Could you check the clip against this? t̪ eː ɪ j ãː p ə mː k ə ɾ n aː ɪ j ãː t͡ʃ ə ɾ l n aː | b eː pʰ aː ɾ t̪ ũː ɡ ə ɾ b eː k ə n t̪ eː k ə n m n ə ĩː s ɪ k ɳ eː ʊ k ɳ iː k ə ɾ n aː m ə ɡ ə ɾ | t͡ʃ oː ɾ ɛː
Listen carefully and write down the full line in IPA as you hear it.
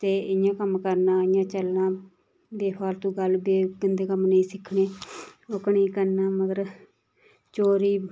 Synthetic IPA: t̪ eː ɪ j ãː k ə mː k ə ɾ n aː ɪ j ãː t͡ʃ ə l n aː | b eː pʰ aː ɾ t̪ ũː ɡ ə l b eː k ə n d̪ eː k ə m n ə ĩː s ɪ kʰ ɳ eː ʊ k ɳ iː k ə ɾ n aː m ə ɡ ə ɾ | t͡ʃ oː ɾ iː